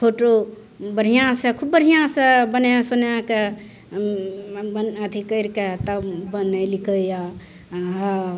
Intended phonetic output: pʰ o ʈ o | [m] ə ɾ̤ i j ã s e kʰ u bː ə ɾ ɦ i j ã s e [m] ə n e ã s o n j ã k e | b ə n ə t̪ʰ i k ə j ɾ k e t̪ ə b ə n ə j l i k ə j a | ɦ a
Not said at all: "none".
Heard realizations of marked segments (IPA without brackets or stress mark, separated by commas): b, b